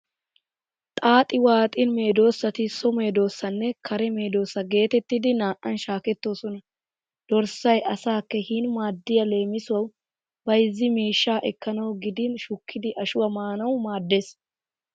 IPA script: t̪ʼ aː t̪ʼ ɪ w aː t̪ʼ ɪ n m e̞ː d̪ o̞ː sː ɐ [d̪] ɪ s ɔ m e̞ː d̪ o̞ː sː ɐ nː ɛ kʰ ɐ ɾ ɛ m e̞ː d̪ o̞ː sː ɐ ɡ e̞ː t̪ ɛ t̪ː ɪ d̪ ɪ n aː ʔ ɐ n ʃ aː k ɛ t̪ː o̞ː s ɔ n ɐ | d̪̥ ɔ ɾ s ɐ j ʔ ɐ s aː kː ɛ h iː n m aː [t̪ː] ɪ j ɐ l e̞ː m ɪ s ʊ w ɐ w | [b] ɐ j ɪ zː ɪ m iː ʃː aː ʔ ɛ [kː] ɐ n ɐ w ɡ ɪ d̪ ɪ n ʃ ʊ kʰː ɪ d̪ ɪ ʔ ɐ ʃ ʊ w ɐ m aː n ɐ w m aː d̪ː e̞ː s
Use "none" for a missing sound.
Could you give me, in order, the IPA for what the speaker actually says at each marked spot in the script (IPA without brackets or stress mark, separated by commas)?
t̪, d̪ː, b, kː